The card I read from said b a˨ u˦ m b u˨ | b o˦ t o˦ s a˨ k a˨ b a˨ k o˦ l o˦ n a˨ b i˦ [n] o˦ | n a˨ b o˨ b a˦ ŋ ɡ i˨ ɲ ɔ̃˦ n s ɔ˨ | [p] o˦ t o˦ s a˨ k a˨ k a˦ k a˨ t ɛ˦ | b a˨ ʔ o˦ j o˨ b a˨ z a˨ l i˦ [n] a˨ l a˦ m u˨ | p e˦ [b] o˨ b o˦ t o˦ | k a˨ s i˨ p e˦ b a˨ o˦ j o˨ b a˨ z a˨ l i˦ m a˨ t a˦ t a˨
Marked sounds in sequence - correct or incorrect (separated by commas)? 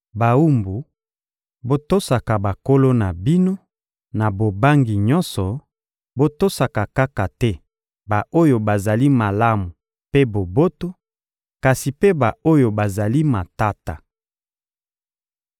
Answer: correct, incorrect, incorrect, correct